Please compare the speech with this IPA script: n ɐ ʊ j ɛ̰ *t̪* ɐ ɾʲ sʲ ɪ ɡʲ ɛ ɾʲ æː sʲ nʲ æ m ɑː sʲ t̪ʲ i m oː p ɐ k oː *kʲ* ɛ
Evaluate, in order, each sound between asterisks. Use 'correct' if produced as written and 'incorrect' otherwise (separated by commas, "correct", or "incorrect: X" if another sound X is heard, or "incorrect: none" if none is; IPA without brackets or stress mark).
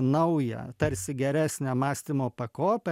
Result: correct, incorrect: pʲ